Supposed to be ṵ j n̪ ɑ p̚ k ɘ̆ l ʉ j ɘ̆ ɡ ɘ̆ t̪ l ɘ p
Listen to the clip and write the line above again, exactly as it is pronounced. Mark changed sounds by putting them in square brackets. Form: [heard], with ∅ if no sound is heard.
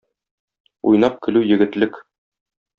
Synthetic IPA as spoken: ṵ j n̪ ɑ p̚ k ɘ̆ l ʉ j ɘ̆ ɡ ɘ̆ t̪ l ɘ [k]

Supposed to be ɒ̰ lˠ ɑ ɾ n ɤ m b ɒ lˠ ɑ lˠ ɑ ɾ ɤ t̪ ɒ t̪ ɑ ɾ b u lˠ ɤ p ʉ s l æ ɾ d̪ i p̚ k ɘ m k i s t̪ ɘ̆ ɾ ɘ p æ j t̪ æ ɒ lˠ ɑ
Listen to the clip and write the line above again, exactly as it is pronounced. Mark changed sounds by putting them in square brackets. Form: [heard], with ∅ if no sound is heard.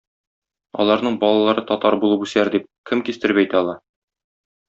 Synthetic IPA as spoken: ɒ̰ lˠ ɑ ɾ n ɤ [ɴ] b ɒ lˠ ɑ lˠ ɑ ɾ ɤ t̪ ɒ t̪ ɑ ɾ b u lˠ ɤ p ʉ s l æ ɾ d̪ i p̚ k ɘ m k i s t̪ ɘ̆ ɾ ɘ p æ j t̪ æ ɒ lˠ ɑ

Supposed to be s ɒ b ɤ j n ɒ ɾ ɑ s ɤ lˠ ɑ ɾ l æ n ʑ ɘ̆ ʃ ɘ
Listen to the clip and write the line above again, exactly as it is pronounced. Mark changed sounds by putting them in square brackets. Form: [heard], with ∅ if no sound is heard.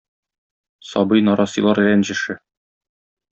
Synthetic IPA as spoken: s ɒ b ɤ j n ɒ ɾ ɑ s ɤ lˠ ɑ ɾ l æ n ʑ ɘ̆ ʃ ɘ

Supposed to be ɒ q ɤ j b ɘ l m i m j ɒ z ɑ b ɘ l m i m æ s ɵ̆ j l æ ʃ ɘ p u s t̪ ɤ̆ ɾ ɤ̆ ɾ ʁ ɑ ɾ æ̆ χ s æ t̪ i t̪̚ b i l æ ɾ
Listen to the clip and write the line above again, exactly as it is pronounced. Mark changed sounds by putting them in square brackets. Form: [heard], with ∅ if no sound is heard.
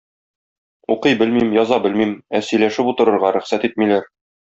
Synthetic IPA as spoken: [u] q ɤ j b ɘ l m i m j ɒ z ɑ b ɘ l m i m æ s ɵ̆ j l æ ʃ ɘ p u [∅] t̪ ɤ̆ ɾ ɤ̆ ɾ ʁ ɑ ɾ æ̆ χ s æ t̪ i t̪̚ [m] i l æ ɾ

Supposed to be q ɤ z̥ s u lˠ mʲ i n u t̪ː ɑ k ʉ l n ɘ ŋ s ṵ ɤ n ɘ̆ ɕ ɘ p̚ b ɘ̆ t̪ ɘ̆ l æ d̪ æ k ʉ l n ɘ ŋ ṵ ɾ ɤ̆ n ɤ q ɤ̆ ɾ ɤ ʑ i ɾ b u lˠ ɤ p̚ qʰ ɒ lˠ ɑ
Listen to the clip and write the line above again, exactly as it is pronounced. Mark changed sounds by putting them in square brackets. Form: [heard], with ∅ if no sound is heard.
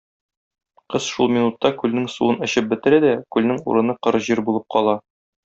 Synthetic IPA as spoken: q ɤ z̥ [ʃ] u lˠ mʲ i n u t̪ː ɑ k ʉ l n ɘ ŋ s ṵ ɤ n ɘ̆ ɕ ɘ p̚ b ɘ̆ t̪ ɘ̆ [ɾ] æ d̪ æ k ʉ l n ɘ ŋ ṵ ɾ ɤ̆ n ɤ q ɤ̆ ɾ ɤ ʑ i ɾ b u lˠ ɤ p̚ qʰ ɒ lˠ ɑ

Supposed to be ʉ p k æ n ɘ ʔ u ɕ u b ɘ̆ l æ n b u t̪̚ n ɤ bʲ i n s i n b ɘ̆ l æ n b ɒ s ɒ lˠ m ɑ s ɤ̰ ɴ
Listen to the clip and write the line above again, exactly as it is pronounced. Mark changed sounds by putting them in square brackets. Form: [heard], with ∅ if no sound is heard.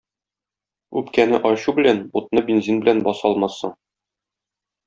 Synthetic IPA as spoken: ʉ p k æ n ɘ ʔ [ɒ] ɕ u b ɘ̆ l æ n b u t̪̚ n ɤ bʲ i n [z] i n b ɘ̆ l æ n b ɒ s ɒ lˠ m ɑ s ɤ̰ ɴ

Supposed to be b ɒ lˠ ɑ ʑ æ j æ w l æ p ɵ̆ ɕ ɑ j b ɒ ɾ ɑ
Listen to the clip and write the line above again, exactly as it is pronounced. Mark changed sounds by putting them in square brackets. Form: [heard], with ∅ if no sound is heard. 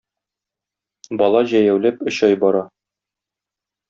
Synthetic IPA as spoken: b ɒ lˠ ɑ ʑ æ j æ w l æ p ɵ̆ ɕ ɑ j b ɒ ɾ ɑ

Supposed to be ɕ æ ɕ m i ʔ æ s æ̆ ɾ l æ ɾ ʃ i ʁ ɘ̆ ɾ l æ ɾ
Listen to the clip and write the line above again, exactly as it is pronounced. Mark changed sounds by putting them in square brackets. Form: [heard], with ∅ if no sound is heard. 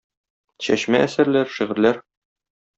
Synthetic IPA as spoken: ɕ æ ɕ m [æ] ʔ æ s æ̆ ɾ l æ ɾ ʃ i ʁ ɘ̆ ɾ l æ ɾ

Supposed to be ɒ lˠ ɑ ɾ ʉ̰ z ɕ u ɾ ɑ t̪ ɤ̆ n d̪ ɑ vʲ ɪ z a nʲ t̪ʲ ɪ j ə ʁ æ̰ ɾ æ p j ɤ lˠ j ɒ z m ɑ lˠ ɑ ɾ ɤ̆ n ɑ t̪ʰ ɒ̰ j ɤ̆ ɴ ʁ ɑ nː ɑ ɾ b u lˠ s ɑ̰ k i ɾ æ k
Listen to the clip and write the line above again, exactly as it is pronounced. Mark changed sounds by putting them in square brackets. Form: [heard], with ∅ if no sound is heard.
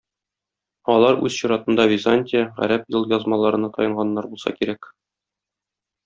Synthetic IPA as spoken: ɒ lˠ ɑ ɾ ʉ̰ z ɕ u ɾ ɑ t̪ ɤ̆ n d̪ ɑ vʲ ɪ z a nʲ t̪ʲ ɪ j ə ʁ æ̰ ɾ æ p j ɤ lˠ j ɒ z m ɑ lˠ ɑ ɾ ɤ̆ n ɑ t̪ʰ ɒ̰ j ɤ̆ ɴ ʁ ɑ nː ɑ ɾ b u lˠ s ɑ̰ k i ɾ æ k

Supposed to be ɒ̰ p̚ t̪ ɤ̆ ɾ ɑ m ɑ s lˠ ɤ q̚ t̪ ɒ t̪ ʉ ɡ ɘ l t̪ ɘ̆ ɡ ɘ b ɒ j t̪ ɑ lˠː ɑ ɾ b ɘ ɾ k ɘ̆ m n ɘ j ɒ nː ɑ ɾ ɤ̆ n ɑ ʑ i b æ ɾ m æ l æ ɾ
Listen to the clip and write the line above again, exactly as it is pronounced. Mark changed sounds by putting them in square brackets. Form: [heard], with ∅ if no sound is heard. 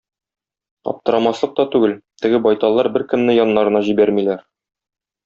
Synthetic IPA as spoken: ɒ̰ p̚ t̪ ɤ̆ ɾ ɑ m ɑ s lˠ ɤ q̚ t̪ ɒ t̪ ʉ ɡ ɘ l t̪ ɘ̆ ɡ ɘ b ɒ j t̪ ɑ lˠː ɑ ɾ b ɘ ɾ k ɘ̆ m n ɘ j ɒ nː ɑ ɾ ɤ̆ n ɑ ʑ i b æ ɾ m [i] l æ ɾ

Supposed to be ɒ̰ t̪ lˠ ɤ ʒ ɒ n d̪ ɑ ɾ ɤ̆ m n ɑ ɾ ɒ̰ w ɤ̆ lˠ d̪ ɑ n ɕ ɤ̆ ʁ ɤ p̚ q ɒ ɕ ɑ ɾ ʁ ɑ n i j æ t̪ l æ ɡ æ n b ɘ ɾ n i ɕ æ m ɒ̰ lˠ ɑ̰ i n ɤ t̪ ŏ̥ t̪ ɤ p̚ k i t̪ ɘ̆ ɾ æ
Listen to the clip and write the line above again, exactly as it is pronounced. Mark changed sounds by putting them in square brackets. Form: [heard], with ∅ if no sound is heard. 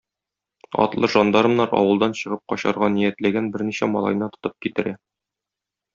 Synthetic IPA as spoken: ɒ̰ t̪ lˠ ɤ ʒ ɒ n d̪ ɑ ɾ ɤ̆ m n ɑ ɾ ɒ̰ w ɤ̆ lˠ d̪ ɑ n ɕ ɤ̆ ʁ ɤ p̚ q ɒ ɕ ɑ ɾ ʁ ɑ n i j æ t̪ l æ ɡ æ n b ɘ ɾ n i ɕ æ m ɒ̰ lˠ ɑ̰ [j] n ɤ t̪ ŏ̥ t̪ ɤ p̚ k i t̪ ɘ̆ ɾ æ

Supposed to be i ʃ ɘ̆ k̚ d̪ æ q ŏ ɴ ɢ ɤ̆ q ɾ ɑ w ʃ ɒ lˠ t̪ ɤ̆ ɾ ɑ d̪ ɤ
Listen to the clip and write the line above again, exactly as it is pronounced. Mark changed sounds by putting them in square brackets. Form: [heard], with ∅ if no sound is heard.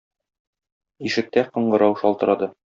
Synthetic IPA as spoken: i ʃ ɘ̆ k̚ [t̪] æ q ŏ ɴ ɢ ɤ̆ [∅] ɾ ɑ w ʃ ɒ lˠ t̪ ɤ̆ ɾ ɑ d̪ ɤ

